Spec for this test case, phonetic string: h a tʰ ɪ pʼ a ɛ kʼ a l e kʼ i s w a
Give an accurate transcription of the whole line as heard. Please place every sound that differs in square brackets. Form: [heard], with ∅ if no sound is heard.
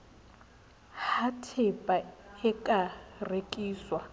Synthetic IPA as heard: h a tʰ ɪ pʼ a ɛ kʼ a [r] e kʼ [iː] s w a

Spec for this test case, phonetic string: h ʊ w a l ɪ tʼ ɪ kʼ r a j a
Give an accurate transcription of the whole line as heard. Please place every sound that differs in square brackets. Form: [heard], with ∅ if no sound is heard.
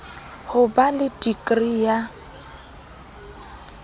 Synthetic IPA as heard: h ʊ [b] a l ɪ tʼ [i] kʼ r [i] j a

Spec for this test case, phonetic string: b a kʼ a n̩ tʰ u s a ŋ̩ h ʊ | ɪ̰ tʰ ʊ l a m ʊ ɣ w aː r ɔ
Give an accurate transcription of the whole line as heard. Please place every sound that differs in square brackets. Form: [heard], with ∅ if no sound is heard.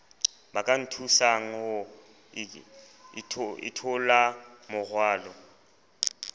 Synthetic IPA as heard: b a kʼ a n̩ tʰ u s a ŋ̩ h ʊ | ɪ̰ tʰ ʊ l a m ʊ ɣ w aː [l] ɔ

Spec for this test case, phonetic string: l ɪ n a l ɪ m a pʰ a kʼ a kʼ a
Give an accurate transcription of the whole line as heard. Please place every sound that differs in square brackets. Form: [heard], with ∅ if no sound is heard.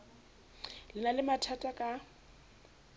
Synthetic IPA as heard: l ɪ n a l ɪ m a [tʰ] a [tʼ] a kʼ a

